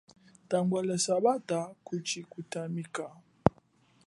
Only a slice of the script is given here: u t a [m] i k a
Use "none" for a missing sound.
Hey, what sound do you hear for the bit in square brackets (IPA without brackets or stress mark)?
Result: m